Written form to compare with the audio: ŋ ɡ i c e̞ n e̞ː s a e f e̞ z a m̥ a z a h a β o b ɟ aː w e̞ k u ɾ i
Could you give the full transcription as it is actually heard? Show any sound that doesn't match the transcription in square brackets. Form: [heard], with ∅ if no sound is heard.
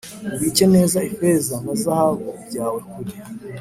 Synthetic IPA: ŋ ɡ i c e̞ n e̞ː [z] a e f e̞ z a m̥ a z a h a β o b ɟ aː w e̞ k u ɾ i